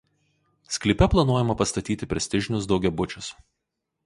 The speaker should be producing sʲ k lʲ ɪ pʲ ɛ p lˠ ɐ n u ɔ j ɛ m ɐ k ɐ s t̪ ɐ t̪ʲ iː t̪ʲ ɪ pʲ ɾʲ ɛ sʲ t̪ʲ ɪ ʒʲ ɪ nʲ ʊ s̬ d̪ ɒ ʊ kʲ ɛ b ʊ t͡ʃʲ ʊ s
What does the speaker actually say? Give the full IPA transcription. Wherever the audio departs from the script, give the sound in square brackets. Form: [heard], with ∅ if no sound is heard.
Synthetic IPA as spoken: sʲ k lʲ ɪ pʲ ɛ p lˠ ɐ n u ɔ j ɛ m ɐ [p] ɐ s t̪ ɐ t̪ʲ iː t̪ʲ ɪ pʲ ɾʲ ɛ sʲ t̪ʲ ɪ ʒʲ ɪ nʲ ʊ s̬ d̪ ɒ ʊ [ɡʲ] ɛ b ʊ t͡ʃʲ ʊ s